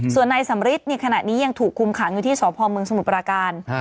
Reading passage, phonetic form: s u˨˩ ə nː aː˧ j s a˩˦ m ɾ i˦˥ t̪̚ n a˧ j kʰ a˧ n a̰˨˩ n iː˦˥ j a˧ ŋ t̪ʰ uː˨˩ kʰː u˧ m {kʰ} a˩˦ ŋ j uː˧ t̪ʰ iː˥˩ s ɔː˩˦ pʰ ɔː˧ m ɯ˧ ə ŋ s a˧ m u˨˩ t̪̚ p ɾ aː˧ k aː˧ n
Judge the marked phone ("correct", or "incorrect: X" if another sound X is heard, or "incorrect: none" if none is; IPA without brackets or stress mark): correct